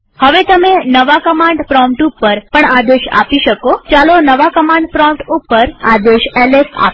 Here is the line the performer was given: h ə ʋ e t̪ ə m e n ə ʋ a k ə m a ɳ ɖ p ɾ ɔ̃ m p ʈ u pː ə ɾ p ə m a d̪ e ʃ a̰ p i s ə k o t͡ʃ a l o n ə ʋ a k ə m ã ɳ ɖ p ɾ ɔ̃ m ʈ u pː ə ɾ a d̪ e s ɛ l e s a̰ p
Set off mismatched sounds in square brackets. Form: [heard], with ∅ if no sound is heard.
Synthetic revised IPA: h ə ʋ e t̪ ə m e n ə ʋ a k ə m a ɳ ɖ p ɾ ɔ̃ m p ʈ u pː ə ɾ p ə [ɳ] a d̪ e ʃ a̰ p i [ʃ] ə k o t͡ʃ a l o n ə ʋ a k ə m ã ɳ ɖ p ɾ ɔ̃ m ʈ u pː ə ɾ a d̪ e [ʃ] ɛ l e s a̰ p